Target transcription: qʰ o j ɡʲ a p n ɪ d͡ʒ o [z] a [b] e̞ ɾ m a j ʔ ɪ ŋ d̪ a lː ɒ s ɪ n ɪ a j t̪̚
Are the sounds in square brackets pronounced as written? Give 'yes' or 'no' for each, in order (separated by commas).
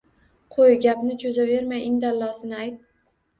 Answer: yes, no